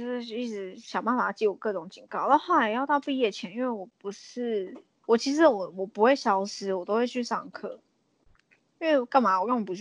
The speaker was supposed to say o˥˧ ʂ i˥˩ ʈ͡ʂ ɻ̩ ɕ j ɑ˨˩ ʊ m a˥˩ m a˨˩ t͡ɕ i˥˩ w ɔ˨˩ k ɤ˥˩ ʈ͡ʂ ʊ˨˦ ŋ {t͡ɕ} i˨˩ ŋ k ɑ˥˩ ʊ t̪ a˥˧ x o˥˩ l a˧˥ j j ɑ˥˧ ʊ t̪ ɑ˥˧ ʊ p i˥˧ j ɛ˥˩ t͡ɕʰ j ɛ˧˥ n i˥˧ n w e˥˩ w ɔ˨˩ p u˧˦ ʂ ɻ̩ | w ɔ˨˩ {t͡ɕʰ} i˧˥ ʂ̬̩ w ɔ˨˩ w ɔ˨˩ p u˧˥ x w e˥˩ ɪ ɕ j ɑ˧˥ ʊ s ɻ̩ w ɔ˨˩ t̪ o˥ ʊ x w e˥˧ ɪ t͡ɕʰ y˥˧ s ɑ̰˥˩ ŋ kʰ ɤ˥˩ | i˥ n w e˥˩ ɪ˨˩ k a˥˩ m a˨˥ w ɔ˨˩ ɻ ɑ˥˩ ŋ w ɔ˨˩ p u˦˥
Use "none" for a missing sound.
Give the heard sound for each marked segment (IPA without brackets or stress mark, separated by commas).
t͡ɕ, t͡ɕʰ